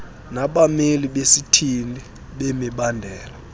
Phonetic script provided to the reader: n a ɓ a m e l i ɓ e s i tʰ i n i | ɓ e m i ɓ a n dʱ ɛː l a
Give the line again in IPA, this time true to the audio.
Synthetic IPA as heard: n a ɓ a m e l i ɓ e s i tʰ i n i | ɓ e m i ɓ a n dʱ ɛː l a